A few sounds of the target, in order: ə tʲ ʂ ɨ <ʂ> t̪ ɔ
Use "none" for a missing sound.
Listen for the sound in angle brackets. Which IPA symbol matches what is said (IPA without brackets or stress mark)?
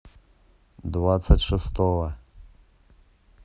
s